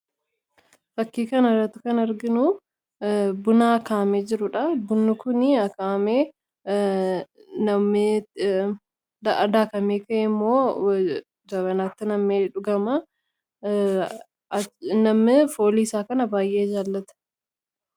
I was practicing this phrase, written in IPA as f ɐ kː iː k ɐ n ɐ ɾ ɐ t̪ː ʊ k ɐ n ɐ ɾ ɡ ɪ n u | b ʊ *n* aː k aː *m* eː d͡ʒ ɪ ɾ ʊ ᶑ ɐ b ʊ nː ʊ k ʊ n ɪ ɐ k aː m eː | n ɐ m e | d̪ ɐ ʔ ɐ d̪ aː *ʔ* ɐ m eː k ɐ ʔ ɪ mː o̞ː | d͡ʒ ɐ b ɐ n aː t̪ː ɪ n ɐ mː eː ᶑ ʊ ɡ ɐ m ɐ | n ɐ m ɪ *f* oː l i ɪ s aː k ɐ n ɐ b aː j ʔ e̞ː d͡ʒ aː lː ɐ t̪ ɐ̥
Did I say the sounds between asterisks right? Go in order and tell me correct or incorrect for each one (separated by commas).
correct, correct, incorrect, correct